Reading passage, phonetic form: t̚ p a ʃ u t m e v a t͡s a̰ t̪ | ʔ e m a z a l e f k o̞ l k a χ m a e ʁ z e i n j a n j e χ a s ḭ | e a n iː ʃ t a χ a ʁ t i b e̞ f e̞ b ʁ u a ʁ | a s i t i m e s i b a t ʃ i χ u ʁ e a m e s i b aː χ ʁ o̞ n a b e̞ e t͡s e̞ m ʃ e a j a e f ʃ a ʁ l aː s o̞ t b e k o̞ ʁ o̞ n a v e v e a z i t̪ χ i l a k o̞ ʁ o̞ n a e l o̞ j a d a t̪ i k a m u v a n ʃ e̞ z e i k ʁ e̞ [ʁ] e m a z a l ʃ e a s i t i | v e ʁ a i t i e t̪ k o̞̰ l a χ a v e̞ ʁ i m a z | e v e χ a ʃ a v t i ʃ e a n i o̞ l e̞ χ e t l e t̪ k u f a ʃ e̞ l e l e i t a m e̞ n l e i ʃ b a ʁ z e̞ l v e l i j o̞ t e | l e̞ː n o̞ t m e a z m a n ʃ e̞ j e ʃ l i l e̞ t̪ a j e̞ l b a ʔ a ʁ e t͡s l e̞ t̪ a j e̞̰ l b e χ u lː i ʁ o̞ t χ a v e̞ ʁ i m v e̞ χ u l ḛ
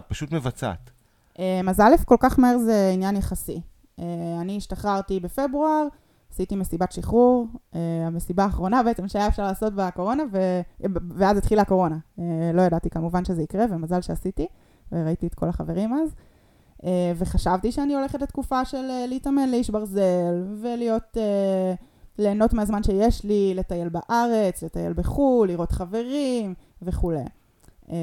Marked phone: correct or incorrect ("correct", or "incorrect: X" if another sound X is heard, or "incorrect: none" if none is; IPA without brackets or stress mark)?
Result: incorrect: v